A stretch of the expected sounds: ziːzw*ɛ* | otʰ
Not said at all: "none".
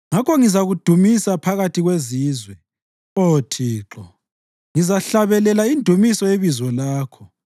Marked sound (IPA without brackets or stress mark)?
ɛ